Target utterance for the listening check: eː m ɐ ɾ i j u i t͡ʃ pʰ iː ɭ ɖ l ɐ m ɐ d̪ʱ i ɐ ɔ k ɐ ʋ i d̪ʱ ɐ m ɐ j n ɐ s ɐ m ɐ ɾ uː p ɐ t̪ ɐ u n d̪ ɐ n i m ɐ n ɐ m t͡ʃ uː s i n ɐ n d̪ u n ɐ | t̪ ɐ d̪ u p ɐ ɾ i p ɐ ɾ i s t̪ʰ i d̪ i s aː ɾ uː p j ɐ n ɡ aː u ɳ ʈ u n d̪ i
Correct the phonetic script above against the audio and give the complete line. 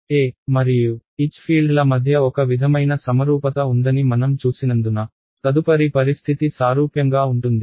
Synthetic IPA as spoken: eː m ɐ ɾ i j u i t͡ʃ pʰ iː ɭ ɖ l ɐ m ɐ d̪ʱ j ɐ ɔ k ɐ ʋ i d̪ʱ ɐ m ɐ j n ɐ s ɐ m ɐ ɾ uː p ɐ t̪ ɐ u n d̪ ɐ n i m ɐ n ɐ m t͡ʃ uː s i n ɐ n d̪ u n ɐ | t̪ ɐ d̪ u p ɐ ɾ i p ɐ ɾ i s t̪ʰ i t̪ i s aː ɾ uː p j ɐ ŋ ɡ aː u ɳ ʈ u n d̪ i